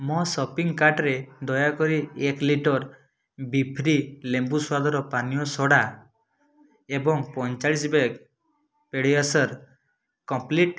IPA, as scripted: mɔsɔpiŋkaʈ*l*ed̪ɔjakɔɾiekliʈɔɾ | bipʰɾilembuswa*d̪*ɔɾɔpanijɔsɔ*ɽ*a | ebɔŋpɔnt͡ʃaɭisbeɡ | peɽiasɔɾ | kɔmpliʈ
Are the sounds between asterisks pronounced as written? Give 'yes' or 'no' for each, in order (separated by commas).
no, yes, yes